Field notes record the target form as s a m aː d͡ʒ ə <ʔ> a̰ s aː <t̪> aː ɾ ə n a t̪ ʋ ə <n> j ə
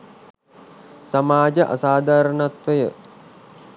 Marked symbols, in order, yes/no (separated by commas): yes, no, no